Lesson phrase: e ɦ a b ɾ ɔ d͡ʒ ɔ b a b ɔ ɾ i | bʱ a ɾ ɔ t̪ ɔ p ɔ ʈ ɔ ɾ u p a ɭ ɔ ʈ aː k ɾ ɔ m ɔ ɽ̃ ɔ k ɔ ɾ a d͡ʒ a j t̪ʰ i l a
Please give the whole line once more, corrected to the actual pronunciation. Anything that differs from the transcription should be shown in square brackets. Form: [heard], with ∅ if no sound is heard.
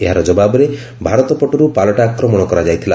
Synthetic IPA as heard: e ɦ a [∅] ɾ ɔ d͡ʒ ɔ b a b ɔ ɾ [e] | bʱ a ɾ ɔ t̪ ɔ p ɔ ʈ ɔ ɾ u p a [l] ɔ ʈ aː k ɾ ɔ m ɔ ɽ̃ ɔ k ɔ ɾ a d͡ʒ a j t̪ʰ i l a